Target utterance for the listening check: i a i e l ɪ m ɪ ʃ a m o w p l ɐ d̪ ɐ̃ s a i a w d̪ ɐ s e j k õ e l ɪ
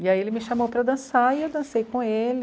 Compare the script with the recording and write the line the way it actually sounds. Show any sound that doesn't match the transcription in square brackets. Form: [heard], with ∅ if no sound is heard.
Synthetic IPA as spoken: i a i e l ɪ m ɪ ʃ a m o w p [ɾ] ɐ d̪ ɐ̃ s a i [e] w d̪ [ɐ̃] s e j k õ e l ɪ